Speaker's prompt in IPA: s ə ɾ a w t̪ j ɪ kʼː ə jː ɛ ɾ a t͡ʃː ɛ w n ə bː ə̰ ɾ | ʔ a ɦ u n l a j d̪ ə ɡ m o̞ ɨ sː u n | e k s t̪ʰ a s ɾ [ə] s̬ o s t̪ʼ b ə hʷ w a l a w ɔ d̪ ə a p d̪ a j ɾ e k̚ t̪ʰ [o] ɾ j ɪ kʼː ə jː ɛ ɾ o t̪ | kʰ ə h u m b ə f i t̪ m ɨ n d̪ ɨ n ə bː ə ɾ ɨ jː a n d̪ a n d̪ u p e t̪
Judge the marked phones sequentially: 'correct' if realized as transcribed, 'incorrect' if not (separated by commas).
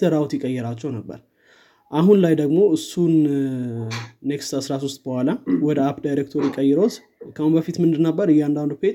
incorrect, correct